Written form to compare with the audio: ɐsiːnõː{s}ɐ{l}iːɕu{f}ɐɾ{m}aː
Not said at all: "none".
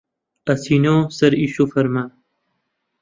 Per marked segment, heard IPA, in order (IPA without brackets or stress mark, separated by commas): s, ɾ, f, m